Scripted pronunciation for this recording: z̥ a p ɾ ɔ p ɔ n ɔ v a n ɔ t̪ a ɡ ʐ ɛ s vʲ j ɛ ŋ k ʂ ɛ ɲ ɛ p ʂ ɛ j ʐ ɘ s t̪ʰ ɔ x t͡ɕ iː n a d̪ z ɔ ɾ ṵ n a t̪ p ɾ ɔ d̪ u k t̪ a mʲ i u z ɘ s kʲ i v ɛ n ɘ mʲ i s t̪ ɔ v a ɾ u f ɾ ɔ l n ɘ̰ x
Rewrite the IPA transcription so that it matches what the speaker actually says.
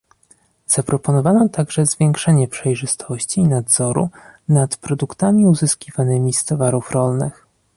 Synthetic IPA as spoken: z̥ a p ɾ ɔ p ɔ n ɔ v a n ɔ t̪ a ɡ ʐ ɛ z vʲ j ɛ ŋ k ʂ ɛ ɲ ɛ p ʂ ɛ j ʐ ɘ s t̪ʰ ɔ ɕ t͡ɕ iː n a d̪ z ɔ ɾ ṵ n a t̪ p ɾ ɔ d̪ u k t̪ a mʲ i u z ɘ s kʲ i v a n ɘ mʲ i s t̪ ɔ v a ɾ u f ɾ ɔ l n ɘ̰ x